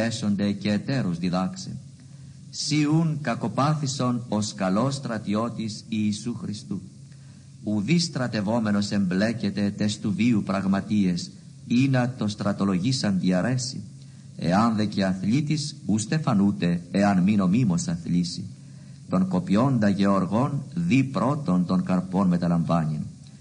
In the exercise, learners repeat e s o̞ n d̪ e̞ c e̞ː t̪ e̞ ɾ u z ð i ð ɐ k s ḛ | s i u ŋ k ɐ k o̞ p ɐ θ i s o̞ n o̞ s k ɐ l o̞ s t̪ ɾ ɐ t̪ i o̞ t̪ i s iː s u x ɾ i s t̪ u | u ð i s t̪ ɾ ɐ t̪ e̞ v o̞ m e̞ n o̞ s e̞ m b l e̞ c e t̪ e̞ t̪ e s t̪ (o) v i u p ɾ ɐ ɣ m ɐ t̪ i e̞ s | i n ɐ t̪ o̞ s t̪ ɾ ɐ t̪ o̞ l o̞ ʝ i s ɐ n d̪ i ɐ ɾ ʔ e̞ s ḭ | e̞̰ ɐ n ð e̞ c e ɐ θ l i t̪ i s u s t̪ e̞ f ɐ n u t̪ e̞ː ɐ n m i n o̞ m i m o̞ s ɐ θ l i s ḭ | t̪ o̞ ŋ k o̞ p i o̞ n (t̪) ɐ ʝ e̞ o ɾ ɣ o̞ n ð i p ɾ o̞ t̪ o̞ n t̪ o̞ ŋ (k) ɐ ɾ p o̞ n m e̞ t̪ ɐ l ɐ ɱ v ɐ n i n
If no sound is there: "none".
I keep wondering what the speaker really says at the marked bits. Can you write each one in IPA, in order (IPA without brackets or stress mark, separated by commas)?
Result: u, d̪, k